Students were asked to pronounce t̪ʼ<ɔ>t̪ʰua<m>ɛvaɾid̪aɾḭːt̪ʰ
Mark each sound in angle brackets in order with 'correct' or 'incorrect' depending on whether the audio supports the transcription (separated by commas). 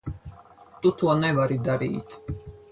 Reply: incorrect, incorrect